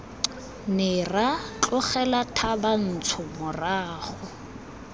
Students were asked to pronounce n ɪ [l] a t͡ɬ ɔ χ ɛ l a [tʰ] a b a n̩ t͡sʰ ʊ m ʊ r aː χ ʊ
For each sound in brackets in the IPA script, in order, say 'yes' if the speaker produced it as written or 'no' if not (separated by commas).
no, yes